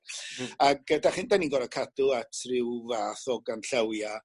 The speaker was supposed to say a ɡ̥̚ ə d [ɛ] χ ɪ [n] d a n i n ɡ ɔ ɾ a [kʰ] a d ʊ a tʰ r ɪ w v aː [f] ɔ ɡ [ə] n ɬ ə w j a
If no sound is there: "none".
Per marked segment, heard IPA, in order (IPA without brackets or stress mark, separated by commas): a, n, kʰ, θ, a